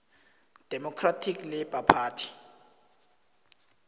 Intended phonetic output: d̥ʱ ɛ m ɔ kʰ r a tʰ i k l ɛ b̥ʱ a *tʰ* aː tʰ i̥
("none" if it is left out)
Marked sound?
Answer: pʰ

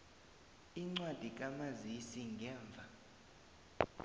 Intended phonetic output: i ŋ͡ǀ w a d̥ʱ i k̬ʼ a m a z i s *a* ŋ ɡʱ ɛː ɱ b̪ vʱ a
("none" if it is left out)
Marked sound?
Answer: i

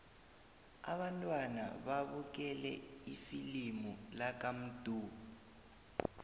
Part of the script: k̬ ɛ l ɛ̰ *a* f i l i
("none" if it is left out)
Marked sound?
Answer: i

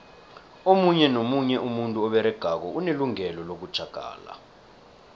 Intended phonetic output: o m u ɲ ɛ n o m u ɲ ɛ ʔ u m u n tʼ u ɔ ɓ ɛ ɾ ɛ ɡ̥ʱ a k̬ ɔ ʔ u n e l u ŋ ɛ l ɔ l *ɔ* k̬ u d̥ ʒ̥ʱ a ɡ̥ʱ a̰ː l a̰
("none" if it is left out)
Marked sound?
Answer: o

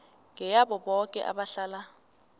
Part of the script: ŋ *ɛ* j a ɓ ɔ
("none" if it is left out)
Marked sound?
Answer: ɛ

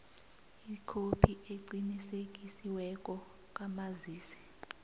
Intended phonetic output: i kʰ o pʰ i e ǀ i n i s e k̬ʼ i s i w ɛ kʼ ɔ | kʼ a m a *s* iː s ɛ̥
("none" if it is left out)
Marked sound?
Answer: z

